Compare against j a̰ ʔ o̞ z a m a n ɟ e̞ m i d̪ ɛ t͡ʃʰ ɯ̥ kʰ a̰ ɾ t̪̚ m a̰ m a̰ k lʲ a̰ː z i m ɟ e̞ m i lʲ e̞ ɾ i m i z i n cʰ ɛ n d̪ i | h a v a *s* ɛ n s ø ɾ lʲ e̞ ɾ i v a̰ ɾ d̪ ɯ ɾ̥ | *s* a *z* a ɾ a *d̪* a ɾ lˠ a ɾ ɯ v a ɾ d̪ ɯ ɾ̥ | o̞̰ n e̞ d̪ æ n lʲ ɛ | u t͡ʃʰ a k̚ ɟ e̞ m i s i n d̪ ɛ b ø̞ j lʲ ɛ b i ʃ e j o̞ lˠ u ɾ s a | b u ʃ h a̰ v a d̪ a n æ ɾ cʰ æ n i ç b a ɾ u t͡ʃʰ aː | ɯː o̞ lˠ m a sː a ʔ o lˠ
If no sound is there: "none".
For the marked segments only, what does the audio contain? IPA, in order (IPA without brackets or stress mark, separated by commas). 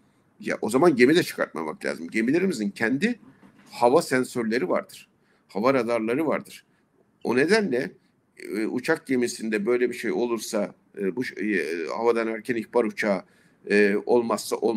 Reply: s, h, v, d̪